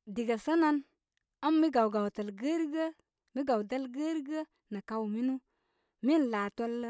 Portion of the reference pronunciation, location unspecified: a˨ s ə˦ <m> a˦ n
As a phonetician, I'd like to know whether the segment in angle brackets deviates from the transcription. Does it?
yes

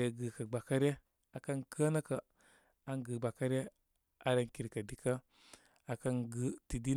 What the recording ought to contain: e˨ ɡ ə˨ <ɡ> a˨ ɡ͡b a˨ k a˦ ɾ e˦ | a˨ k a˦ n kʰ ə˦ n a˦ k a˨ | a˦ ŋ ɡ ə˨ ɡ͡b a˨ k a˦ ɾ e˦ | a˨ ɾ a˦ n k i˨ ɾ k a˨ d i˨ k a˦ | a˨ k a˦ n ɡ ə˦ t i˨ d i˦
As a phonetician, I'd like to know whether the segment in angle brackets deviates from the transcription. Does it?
yes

